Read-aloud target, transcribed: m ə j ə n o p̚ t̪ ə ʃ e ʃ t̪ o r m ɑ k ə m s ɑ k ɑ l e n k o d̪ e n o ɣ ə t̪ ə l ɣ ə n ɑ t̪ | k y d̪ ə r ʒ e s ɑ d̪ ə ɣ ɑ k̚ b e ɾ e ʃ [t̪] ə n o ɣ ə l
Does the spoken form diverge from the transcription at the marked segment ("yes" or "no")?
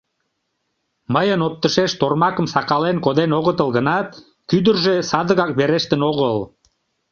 no